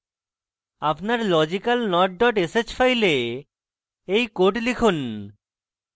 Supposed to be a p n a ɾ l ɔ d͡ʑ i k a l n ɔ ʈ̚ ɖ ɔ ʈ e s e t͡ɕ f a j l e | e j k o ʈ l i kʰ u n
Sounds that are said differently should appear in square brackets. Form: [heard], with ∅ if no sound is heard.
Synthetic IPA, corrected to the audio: a p n a ɾ l ɔ d͡ʑ i k a l n ɔ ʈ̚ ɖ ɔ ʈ e s e t͡ɕ f a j l e | e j k o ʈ l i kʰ u n